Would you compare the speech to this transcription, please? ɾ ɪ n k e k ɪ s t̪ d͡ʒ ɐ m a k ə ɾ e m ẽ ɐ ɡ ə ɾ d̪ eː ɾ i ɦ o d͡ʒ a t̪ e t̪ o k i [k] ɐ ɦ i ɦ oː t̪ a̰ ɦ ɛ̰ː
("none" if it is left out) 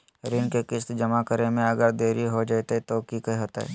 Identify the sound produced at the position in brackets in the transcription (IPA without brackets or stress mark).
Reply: k